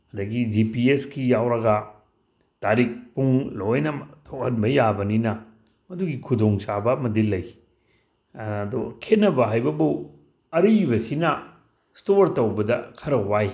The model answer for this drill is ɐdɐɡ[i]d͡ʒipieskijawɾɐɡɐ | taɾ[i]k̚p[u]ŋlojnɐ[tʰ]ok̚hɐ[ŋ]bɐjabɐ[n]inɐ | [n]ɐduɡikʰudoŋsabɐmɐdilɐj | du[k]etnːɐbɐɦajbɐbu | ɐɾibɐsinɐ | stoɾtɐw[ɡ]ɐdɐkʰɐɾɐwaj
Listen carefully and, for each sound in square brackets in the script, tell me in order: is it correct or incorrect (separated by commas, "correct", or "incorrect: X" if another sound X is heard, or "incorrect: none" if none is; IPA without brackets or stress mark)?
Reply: correct, correct, correct, correct, incorrect: n, correct, incorrect: m, incorrect: kʰ, incorrect: b